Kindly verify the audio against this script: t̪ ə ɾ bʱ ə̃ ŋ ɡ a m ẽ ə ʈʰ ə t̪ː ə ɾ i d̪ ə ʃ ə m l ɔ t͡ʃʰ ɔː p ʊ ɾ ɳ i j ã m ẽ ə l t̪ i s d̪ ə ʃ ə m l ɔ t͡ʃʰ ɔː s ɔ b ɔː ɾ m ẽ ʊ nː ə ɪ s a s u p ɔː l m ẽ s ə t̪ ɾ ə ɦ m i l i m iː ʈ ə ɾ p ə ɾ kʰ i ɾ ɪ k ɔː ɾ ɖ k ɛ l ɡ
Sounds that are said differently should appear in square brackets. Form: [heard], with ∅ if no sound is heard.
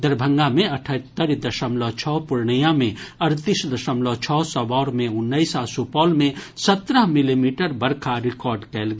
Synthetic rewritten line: [d̪] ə ɾ bʱ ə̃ ŋ ɡ a m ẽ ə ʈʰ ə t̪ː ə ɾ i d̪ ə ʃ ə m l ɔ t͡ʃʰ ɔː p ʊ ɾ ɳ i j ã m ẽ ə [ɾ] t̪ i s d̪ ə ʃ ə m l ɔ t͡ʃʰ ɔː s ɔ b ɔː ɾ m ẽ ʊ nː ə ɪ s a s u p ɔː l m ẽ s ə t̪ ɾ ə ɦ m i l i m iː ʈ ə ɾ [b] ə ɾ kʰ [a] ɾ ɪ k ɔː ɾ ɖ k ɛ l ɡ